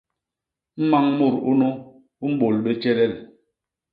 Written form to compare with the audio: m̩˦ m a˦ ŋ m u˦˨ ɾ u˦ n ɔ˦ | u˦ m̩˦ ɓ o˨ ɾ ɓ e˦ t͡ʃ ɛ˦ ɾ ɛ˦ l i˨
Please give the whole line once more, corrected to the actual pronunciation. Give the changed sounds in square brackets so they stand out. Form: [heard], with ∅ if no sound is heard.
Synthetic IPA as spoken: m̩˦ m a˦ ŋ m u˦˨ ɾ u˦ n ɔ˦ | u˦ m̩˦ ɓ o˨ [l] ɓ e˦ t͡ʃ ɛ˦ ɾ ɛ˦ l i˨